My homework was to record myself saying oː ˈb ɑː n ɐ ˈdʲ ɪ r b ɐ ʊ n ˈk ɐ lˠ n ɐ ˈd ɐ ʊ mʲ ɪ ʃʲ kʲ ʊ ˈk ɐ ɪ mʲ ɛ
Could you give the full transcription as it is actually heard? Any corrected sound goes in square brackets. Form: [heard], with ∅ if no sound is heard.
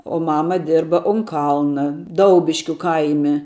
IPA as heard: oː [ˈm] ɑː [m] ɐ ˈdʲ ɪ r b ɐ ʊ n ˈk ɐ lˠ n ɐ ˈd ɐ ʊ [bʲ] ɪ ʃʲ kʲ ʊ ˈk ɐ ɪ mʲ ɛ